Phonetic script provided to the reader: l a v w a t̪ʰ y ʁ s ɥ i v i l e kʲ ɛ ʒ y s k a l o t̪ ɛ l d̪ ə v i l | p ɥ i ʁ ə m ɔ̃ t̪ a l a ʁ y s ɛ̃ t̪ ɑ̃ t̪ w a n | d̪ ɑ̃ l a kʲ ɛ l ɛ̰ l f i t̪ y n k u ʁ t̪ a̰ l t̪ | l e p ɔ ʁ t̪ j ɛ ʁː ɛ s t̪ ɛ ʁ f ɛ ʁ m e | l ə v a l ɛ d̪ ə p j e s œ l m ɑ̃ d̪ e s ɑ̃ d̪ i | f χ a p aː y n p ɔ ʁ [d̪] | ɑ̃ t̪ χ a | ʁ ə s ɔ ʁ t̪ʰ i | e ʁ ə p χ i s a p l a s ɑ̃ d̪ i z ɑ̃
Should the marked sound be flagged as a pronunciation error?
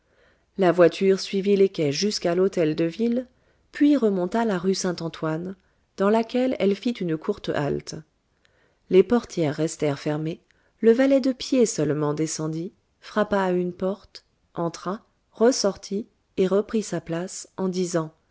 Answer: yes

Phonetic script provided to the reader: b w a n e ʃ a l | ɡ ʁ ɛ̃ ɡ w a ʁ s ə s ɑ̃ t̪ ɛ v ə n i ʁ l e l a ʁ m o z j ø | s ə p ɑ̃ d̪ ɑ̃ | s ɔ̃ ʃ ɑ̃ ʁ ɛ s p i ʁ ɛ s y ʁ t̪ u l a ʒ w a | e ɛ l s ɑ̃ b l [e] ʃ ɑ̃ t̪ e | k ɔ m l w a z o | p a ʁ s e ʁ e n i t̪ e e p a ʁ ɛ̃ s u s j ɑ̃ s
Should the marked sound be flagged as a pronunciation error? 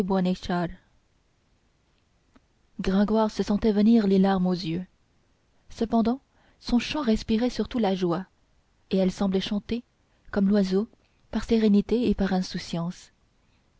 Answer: yes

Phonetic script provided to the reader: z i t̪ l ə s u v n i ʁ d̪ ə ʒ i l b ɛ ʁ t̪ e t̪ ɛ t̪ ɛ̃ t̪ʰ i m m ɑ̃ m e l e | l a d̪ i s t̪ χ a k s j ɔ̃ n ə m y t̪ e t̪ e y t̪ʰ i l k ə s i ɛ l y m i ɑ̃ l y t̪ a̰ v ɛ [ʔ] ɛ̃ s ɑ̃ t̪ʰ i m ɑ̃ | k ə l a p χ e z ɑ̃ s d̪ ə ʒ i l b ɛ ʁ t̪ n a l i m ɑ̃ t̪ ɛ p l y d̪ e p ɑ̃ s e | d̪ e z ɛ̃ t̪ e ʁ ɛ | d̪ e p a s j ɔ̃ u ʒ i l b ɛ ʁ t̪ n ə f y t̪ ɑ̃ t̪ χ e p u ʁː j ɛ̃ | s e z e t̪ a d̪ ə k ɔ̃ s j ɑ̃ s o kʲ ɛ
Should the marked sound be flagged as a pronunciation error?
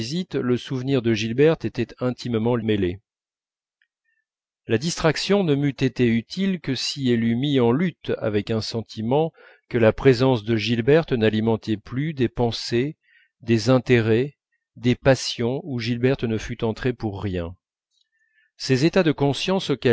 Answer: yes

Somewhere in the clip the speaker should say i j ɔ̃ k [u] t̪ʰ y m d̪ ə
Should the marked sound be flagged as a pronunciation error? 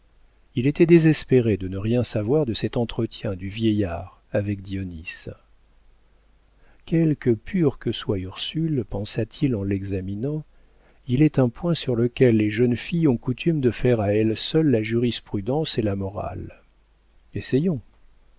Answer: no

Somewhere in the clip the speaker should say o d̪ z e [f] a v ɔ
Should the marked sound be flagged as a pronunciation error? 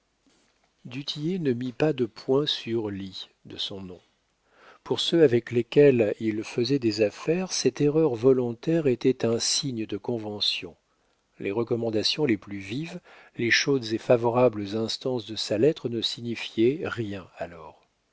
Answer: no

